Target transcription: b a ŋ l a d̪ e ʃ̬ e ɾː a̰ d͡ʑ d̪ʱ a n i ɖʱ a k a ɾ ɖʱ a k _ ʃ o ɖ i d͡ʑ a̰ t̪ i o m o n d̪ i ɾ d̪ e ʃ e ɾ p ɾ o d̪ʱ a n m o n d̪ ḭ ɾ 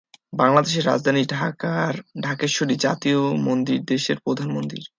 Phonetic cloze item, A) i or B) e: B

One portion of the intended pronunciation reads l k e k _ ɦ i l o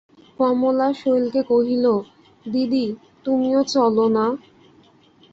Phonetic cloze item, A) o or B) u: A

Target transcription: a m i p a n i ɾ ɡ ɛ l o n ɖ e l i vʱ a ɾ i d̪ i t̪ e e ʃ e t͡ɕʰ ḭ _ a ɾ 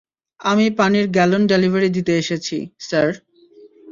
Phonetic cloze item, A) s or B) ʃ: A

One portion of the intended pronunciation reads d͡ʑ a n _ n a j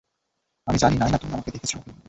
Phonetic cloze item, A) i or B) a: A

